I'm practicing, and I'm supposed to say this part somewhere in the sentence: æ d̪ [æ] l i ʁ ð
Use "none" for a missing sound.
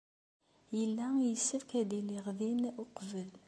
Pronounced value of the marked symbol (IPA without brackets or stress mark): i